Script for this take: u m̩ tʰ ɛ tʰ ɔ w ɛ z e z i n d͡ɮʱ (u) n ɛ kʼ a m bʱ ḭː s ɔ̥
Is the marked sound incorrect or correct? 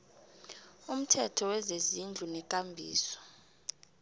correct